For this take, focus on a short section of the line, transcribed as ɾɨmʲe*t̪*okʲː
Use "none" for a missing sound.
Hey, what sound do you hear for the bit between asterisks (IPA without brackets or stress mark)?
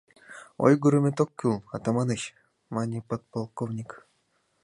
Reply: t̪